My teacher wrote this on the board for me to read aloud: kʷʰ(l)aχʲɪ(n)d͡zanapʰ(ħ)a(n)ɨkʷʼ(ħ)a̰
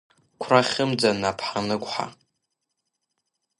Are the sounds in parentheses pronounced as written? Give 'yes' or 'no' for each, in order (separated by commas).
no, no, yes, yes, yes